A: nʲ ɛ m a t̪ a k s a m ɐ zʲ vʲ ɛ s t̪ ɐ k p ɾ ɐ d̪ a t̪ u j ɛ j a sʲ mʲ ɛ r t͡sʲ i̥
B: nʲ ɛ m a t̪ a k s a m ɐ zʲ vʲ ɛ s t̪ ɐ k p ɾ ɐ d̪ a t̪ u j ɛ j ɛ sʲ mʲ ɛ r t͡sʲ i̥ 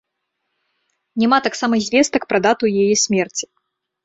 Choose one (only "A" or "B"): B